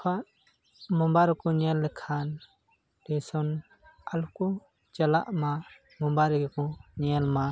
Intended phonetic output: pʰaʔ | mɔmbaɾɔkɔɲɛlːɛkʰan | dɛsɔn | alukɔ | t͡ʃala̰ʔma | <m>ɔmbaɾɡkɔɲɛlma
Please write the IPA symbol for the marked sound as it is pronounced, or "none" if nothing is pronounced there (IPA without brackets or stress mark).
m